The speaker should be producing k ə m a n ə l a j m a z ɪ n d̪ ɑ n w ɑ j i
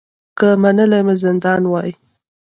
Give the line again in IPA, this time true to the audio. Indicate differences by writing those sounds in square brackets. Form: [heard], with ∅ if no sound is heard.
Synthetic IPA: k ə m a n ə l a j m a z ɪ n d̪ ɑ n w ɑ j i